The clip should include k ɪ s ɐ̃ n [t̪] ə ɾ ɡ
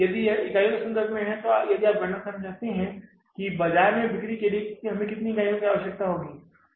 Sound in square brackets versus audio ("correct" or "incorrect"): incorrect